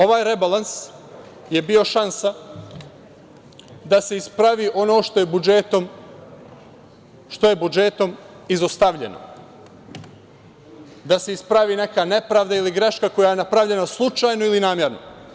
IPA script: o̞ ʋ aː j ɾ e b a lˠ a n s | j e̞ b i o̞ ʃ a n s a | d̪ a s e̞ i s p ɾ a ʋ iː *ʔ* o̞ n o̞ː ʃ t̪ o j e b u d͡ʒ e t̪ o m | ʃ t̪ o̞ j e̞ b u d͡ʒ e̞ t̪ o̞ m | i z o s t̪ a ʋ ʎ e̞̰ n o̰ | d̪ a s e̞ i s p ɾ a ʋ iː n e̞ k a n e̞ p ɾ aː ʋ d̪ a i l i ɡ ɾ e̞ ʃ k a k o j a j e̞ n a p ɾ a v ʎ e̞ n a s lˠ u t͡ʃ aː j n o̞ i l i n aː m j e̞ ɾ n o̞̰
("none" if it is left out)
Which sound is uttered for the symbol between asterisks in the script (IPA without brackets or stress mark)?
ʔ